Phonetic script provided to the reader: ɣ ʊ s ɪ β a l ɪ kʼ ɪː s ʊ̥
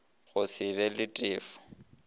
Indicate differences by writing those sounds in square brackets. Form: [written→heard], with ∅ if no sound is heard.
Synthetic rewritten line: ɣ ʊ s ɪ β [a→ɛ] l ɪ [kʼ→tʼ] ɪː [s→f] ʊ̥